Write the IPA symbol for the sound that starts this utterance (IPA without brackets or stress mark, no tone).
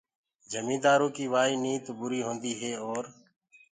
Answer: d͡ʒ